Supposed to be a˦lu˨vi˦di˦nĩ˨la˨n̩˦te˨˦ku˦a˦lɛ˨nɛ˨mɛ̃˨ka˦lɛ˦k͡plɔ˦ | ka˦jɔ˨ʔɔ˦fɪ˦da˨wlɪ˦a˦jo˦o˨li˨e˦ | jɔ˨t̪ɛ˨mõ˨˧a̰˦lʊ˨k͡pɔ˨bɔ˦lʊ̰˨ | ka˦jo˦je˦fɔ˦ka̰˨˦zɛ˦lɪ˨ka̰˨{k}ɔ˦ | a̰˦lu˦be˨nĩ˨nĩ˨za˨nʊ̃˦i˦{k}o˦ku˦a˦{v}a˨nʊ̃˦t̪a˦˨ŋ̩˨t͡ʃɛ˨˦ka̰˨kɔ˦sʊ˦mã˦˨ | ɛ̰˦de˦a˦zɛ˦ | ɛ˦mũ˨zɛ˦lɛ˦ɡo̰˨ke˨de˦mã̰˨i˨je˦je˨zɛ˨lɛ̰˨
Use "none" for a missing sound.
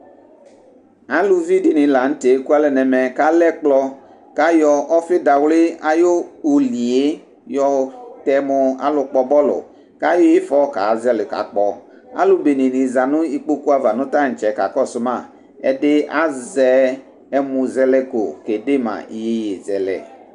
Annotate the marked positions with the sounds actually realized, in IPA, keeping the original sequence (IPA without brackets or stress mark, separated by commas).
k͡p, k͡p, v